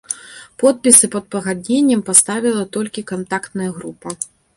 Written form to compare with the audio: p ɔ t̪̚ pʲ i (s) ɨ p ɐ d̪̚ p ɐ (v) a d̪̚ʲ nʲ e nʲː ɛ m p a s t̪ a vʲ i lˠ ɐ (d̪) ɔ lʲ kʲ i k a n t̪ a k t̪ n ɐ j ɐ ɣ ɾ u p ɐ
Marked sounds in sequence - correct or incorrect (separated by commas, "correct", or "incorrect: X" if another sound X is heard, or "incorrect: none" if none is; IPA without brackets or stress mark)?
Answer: correct, incorrect: ɣ, incorrect: t̪